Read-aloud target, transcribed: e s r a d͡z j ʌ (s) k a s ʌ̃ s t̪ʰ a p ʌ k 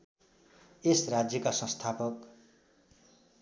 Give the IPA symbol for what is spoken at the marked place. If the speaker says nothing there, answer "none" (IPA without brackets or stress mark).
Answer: none